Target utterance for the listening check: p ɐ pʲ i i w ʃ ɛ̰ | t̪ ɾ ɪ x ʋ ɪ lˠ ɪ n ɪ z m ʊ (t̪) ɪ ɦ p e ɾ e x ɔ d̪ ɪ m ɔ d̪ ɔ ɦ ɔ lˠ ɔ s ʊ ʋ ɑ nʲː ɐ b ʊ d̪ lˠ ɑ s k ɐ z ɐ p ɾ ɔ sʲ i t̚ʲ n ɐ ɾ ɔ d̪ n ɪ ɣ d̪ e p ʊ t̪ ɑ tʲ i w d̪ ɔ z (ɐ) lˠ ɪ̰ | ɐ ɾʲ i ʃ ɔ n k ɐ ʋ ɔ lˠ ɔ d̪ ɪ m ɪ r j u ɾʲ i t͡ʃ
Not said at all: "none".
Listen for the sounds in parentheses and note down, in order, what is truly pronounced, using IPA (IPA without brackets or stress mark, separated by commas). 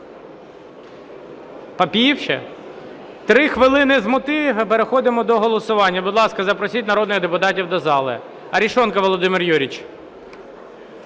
t̪, ɑ